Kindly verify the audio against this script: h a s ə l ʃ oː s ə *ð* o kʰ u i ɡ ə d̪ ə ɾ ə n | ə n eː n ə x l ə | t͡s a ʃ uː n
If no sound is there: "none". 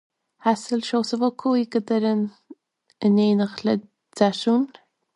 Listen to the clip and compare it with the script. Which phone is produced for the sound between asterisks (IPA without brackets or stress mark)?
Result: v